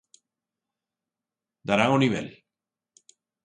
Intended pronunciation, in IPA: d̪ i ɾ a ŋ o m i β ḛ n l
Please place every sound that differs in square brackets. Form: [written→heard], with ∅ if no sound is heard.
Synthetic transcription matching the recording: d̪ [i→a] ɾ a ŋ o [m→n] i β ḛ [n→∅] l